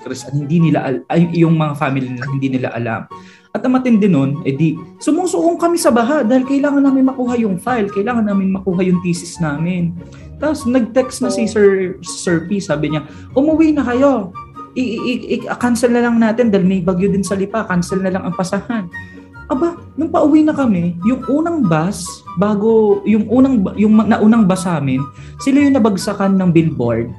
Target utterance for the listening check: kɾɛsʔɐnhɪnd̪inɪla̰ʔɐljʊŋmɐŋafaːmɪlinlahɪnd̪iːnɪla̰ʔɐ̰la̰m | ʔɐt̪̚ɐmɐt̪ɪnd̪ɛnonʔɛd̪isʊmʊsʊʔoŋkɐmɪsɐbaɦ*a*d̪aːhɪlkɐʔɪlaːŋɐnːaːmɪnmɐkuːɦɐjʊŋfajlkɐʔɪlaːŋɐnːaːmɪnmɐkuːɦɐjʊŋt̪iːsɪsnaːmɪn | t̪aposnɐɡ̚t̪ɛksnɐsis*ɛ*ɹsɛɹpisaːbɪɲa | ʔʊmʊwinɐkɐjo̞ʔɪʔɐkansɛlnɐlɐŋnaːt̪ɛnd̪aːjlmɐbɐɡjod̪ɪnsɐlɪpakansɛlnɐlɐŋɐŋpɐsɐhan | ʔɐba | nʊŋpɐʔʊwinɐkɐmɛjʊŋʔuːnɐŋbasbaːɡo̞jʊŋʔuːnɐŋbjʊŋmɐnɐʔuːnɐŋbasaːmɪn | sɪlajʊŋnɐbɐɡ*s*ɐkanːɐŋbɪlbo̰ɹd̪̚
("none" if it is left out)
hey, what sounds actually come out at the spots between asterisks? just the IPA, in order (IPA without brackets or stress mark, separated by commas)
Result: a, ɛ, s